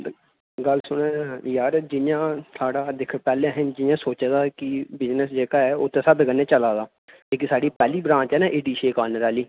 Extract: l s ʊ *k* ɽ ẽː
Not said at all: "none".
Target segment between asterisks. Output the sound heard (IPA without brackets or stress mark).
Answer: none